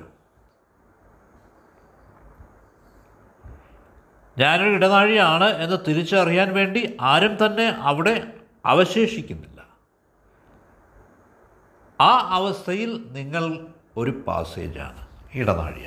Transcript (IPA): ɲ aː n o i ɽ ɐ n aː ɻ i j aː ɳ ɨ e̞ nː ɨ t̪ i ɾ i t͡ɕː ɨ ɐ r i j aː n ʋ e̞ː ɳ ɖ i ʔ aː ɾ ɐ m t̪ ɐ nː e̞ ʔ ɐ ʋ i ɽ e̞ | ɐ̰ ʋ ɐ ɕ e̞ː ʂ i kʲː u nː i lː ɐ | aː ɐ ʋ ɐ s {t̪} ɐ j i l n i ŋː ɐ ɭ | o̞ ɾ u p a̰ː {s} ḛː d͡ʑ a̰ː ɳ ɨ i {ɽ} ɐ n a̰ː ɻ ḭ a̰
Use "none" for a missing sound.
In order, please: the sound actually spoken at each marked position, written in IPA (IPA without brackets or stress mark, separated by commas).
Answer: t̪ʰ, s, ɽ